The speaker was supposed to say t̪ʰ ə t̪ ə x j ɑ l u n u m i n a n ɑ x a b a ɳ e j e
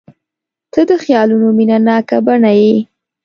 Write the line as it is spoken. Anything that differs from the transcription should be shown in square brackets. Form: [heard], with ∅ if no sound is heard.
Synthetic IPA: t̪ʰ ə [d̪] ə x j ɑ l u n [o] m i n a n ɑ [k] a b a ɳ [a] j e